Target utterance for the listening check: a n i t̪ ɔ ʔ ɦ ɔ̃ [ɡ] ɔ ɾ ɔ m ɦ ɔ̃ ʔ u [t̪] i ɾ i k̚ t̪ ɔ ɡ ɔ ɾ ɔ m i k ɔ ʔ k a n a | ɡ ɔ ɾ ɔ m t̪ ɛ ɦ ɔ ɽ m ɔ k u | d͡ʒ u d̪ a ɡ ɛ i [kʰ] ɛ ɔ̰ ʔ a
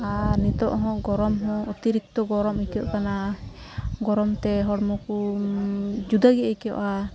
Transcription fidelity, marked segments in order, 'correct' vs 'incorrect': correct, correct, incorrect: k

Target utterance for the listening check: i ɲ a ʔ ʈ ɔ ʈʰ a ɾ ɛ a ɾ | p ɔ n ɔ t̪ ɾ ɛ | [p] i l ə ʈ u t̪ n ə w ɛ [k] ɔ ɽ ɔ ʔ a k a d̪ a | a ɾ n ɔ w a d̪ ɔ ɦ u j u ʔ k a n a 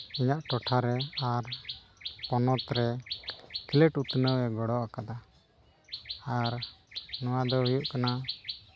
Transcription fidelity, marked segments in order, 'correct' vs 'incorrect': incorrect: k, incorrect: ɡ

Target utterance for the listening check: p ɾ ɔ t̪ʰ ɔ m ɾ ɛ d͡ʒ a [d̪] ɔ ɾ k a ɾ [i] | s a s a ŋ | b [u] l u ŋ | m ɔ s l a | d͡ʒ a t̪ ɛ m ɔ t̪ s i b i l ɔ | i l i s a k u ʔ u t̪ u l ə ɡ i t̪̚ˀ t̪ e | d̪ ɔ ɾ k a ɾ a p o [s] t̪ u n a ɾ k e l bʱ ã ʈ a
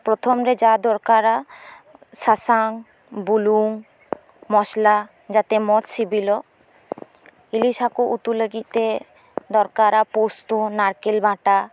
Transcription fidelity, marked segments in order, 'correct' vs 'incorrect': correct, incorrect: a, correct, correct

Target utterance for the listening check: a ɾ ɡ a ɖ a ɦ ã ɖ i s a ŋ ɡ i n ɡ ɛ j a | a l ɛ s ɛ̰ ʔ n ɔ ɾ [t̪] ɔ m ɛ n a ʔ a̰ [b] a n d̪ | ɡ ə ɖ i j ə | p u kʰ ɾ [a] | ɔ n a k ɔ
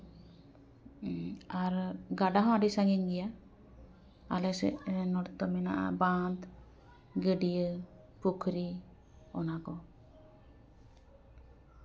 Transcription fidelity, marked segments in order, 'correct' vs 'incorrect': correct, correct, incorrect: i

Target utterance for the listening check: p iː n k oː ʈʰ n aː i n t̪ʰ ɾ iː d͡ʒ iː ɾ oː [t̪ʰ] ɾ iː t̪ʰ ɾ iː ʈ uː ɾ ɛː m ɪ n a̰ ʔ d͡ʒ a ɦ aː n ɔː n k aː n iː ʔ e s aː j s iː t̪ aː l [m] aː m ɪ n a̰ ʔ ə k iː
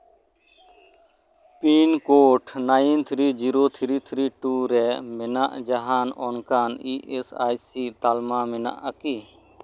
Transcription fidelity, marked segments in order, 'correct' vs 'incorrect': correct, correct

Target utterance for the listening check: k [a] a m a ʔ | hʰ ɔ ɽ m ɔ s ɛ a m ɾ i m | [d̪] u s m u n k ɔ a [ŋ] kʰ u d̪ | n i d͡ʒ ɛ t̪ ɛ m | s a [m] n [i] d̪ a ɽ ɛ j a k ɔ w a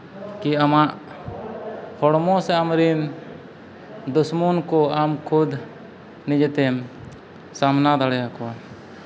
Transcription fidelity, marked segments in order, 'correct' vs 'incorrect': incorrect: i, correct, incorrect: m, correct, incorrect: a

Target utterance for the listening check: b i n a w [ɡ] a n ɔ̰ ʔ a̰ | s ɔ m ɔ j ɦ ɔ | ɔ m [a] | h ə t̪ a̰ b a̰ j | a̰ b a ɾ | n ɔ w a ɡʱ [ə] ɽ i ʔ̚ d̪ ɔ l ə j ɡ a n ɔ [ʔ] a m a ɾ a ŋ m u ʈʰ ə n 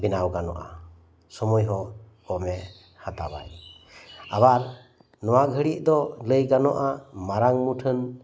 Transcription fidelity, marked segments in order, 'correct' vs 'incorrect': correct, incorrect: ɛ, correct, correct

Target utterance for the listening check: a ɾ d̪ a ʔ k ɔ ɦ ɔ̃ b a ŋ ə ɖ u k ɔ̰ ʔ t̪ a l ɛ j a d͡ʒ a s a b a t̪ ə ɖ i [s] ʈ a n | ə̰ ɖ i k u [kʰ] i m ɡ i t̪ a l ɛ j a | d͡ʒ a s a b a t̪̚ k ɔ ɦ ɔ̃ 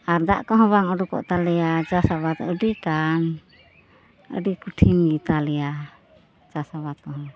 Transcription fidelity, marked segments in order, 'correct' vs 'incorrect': incorrect: none, incorrect: ʈʰ

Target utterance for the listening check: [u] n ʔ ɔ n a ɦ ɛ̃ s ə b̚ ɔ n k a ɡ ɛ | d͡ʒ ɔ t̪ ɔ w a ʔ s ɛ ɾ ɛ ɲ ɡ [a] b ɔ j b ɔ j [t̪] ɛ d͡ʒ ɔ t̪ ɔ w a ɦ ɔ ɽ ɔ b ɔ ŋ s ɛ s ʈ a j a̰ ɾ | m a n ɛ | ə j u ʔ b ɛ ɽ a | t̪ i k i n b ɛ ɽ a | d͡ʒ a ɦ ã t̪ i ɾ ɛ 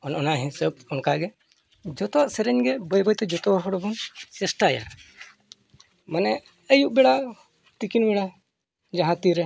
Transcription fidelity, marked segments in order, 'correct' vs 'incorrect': incorrect: ɔ, incorrect: ɛ, correct

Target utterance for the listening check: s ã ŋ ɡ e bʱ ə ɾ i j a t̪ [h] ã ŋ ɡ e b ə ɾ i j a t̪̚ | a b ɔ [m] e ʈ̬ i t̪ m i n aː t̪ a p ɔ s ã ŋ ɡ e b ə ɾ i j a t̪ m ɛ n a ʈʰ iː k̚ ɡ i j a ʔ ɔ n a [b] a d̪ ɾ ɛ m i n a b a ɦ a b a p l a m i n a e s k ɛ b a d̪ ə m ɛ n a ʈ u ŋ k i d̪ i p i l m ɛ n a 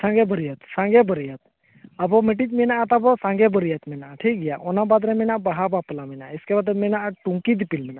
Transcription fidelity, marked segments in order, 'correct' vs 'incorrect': incorrect: s, correct, correct

